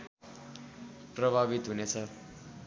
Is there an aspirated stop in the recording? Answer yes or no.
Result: yes